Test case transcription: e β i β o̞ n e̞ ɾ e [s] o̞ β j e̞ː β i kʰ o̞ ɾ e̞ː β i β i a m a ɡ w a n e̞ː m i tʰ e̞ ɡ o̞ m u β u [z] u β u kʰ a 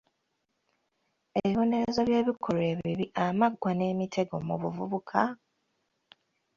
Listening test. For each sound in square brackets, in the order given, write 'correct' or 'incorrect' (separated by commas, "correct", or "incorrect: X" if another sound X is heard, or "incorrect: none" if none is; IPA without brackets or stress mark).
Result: incorrect: z, incorrect: v